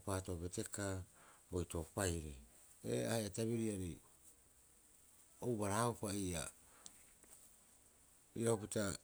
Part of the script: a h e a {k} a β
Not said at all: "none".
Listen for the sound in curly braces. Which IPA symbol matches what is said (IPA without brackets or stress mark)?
t